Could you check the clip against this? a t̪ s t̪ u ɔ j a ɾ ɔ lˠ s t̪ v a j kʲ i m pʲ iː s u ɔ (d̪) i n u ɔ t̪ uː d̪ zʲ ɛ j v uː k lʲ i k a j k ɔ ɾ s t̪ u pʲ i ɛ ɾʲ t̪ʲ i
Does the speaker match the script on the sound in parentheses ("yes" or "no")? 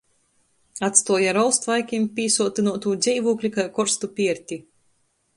no